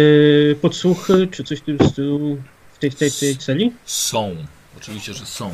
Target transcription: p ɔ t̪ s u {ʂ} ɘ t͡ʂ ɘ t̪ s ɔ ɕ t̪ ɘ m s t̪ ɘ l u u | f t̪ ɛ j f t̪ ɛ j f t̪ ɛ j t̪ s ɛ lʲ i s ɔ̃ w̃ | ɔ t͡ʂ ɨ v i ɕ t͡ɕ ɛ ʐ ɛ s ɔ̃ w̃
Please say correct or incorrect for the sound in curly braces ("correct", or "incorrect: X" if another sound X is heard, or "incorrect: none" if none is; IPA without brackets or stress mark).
incorrect: x